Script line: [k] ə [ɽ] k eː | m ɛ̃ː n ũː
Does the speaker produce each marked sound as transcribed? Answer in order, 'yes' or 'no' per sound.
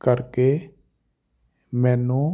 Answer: yes, no

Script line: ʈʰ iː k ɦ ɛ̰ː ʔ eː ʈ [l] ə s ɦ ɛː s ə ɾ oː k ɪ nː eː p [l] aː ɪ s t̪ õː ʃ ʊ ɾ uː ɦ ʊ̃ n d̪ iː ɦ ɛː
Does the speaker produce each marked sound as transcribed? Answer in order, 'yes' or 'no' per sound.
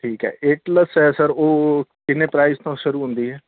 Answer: yes, no

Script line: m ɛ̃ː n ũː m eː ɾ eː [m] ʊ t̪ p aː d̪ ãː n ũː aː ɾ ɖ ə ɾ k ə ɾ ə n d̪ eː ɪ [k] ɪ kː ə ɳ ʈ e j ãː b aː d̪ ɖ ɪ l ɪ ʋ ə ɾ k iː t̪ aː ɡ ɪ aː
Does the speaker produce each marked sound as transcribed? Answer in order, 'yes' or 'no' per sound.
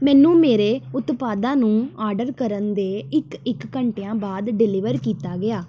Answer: no, yes

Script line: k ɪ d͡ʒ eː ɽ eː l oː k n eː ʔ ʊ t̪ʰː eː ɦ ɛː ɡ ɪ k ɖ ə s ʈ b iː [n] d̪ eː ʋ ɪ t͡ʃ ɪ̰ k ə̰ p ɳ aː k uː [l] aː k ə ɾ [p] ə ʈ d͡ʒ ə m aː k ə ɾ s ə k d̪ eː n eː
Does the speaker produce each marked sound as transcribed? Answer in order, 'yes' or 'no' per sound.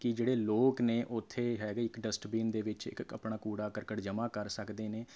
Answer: yes, no, no

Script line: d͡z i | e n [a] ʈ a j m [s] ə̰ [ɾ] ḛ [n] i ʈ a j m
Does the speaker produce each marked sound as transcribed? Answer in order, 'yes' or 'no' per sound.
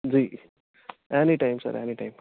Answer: no, yes, yes, yes

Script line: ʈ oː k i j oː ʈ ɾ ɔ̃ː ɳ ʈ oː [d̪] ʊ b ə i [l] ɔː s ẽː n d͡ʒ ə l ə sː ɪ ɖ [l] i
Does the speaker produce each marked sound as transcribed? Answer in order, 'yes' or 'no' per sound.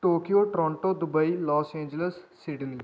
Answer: yes, yes, yes

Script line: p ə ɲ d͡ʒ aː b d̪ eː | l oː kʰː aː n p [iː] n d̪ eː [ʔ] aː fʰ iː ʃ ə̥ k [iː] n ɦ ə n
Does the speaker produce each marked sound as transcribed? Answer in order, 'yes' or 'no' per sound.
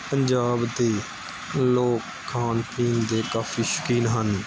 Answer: yes, no, yes

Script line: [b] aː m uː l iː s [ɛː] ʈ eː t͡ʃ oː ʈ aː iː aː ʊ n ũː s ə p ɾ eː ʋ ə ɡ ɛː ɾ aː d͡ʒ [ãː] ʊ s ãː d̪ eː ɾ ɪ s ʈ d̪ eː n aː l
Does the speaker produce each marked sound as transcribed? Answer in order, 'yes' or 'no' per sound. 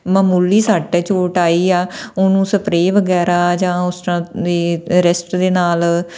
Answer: no, no, yes

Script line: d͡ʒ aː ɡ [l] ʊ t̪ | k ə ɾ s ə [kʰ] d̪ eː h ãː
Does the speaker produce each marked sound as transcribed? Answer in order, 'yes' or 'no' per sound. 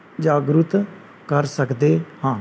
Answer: no, no

